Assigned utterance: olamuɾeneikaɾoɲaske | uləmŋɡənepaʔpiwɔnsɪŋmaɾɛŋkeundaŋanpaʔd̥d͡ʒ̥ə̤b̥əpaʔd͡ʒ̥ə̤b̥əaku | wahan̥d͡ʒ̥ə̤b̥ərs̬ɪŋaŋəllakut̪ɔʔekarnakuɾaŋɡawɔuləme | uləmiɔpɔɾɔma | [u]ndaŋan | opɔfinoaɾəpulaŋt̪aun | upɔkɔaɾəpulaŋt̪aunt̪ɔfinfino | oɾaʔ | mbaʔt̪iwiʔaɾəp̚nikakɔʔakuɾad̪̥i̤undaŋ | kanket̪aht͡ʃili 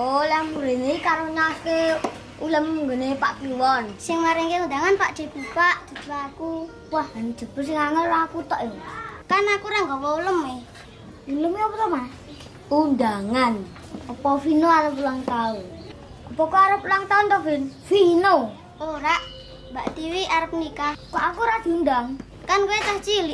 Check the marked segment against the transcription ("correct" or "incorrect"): correct